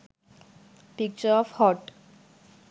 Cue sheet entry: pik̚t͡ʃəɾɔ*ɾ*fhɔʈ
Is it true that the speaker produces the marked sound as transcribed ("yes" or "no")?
no